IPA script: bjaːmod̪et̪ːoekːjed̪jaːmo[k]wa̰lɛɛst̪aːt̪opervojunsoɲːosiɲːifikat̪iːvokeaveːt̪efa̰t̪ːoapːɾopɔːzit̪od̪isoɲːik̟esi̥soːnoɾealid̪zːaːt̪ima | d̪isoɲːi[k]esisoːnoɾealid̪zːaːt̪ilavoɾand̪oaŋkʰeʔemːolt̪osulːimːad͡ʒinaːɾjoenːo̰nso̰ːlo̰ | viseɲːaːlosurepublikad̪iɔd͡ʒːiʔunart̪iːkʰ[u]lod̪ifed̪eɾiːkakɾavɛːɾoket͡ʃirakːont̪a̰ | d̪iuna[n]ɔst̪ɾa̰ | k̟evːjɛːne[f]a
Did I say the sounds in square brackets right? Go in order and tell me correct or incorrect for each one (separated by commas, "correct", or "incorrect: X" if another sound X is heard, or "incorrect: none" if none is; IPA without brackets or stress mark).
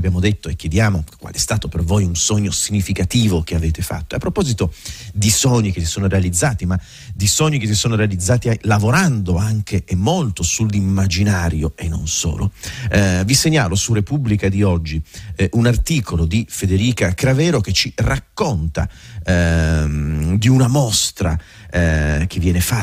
correct, correct, incorrect: o, incorrect: m, correct